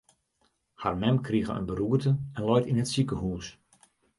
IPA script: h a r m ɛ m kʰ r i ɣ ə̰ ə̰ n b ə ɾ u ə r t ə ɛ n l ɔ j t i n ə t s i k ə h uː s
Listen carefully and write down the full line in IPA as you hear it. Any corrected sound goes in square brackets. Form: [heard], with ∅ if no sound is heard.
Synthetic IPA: h a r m ɛ m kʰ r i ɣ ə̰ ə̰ n b ə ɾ u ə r t ə ɛ n l ɔ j t i n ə t s i k ə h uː s